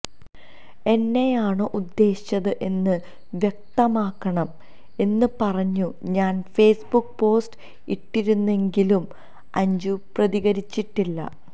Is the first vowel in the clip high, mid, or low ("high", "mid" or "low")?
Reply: mid